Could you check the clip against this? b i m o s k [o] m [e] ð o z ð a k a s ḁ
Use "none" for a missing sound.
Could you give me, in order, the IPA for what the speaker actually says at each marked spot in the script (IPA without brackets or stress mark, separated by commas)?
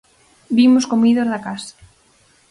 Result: o, i